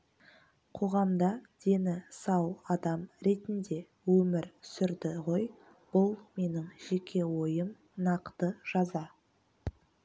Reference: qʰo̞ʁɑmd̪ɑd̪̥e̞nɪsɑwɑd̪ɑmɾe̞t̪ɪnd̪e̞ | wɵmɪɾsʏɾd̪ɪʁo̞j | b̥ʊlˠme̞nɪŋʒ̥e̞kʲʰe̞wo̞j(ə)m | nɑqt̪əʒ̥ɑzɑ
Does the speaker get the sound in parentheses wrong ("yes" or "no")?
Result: no